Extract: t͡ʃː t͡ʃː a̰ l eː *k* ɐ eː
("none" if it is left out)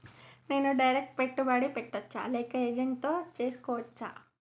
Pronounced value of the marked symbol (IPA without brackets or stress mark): k